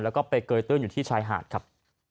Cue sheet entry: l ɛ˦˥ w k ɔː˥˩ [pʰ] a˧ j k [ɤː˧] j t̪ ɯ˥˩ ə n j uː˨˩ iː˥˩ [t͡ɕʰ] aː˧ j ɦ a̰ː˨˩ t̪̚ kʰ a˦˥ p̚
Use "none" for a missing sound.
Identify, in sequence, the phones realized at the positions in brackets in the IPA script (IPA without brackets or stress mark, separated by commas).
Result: p, ɤː˧, t͡ɕʰ